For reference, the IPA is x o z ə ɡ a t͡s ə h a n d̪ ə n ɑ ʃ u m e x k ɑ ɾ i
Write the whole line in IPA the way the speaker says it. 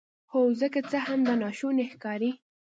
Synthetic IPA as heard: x o z ə k a t͡s ə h a m d̪ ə n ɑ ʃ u n e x k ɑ ɾ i

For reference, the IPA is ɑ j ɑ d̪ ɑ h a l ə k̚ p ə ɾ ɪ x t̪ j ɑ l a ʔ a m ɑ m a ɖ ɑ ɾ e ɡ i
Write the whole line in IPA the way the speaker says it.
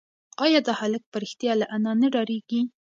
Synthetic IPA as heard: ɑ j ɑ d̪ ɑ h a l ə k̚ p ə ɾ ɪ x t̪ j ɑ l a ʔ a n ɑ n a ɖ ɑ ɾ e ɡ i

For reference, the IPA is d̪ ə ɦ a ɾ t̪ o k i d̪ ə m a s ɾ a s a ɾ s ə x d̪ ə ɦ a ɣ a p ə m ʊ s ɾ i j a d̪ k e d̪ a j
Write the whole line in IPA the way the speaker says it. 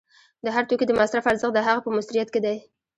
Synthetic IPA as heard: d̪ ə ɦ a ɾ t̪ o k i d̪ ə m a s ɾ a f a ɾ z ə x d̪ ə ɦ a ɣ a p ə m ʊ s ɾ i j a t̪ k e d̪ a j

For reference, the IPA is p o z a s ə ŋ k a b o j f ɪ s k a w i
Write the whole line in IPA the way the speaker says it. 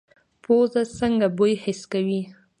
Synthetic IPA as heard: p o z a s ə ŋ ɡ a b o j h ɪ s k a w i

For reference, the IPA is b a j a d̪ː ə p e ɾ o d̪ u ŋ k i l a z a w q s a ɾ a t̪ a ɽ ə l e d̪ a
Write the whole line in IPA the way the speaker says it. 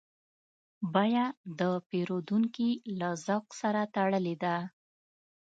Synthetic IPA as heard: b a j a d̪ ə p e ɾ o d̪ u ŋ k i l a z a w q s a ɾ a t̪ a ɽ ə l e d̪ a

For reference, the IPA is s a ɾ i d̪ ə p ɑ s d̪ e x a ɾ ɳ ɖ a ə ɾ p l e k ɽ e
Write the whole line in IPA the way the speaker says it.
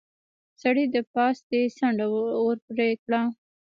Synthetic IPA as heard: s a ɽ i d̪ ə p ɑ s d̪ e s a ɳ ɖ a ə ɾ p ɾ e k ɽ a

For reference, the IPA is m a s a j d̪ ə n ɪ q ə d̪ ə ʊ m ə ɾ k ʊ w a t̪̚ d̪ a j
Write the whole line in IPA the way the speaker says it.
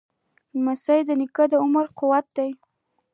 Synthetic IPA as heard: m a s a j d̪ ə n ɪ k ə d̪ ə ʊ m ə ɾ q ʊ w a t̪̚ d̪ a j

